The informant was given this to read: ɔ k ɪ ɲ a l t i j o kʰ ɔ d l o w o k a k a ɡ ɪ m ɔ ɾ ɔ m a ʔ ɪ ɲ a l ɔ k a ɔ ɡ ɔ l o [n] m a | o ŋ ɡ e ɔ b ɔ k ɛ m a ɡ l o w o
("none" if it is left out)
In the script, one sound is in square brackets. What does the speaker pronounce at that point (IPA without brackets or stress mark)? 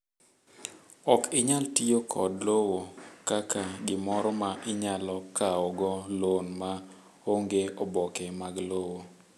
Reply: n